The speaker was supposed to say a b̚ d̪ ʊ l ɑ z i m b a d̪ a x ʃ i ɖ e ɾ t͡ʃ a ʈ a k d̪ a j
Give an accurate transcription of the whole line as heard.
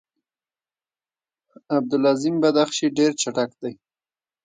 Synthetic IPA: a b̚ d̪ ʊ l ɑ z i m b a d̪ a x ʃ i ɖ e ɾ t͡ʃ a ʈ a k d̪ a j